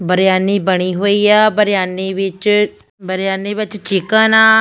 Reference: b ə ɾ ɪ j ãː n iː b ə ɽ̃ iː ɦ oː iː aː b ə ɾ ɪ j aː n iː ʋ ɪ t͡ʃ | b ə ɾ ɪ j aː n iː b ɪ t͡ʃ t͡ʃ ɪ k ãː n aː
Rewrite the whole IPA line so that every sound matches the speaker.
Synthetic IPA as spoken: b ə ɾ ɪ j aː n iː b ə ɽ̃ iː ɦ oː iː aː b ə ɾ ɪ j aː n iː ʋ ɪ t͡ʃ | b ə ɾ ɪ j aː n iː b ɪ t͡ʃ t͡ʃ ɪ k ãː n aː

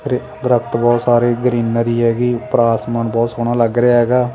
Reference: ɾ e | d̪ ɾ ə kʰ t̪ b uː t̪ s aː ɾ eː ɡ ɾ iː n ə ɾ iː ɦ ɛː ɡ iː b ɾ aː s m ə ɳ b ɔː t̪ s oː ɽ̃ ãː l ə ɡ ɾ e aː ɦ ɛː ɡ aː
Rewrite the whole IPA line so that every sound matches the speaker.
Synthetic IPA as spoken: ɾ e | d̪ ɾ ə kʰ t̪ b ɔː t̪ s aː ɾ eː ɡ ɾ iː n ə ɾ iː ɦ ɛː ɡ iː p ɾ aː s m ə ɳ b ɔː t̪ s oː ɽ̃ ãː l ə ɡ ɾ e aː ɦ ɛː ɡ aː

